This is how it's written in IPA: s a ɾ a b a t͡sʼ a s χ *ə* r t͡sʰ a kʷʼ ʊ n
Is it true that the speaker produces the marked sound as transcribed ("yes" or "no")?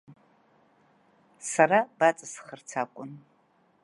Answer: yes